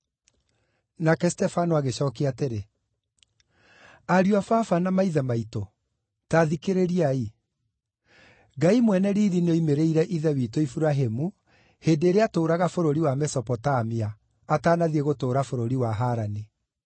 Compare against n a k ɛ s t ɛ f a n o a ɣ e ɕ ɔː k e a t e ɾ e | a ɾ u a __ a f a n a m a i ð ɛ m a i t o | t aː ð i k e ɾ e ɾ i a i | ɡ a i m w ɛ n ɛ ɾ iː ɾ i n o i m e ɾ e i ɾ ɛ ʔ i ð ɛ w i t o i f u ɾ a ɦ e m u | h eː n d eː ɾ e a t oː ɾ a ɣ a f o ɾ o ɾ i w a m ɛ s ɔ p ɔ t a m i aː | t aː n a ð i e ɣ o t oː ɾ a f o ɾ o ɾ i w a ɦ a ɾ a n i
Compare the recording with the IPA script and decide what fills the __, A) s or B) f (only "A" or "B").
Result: B